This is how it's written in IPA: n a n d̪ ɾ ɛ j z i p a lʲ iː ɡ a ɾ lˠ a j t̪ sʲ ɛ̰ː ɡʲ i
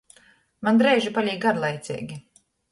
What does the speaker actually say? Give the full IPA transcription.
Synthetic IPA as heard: m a n d̪ ɾ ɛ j ʒ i p a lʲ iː ɡ a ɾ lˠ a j t̪ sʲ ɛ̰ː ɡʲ i